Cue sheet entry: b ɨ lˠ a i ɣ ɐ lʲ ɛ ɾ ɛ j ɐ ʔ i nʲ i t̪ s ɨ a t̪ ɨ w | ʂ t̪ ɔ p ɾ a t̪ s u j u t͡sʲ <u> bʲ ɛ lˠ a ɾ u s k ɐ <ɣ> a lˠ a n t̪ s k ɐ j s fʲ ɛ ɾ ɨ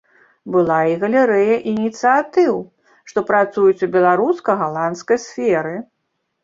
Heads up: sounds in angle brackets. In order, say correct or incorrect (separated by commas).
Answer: correct, correct